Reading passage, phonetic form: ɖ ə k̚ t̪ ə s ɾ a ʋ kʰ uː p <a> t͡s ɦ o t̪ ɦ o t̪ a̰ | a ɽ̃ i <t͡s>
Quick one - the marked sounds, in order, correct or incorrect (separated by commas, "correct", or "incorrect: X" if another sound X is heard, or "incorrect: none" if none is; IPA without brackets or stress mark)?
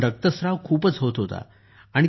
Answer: incorrect: ə, incorrect: none